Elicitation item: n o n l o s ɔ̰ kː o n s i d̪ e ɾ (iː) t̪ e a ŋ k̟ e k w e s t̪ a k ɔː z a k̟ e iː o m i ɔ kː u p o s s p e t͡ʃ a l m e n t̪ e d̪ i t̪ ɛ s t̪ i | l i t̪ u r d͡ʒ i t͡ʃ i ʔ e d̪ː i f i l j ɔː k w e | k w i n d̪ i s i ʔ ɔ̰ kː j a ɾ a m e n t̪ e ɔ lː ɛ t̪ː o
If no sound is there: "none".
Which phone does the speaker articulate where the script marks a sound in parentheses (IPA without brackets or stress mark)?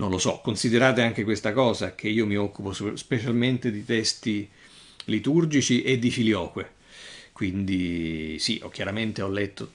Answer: aː